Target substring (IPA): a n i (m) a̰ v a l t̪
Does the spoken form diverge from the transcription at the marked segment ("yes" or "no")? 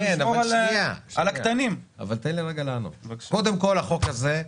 no